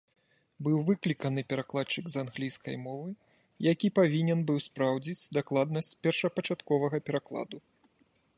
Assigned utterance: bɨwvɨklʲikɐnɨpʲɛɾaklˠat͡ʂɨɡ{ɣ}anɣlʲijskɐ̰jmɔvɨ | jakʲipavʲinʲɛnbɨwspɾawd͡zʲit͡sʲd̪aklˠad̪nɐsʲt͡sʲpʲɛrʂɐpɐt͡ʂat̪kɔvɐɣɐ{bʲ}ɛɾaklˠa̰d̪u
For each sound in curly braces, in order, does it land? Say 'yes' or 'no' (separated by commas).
no, no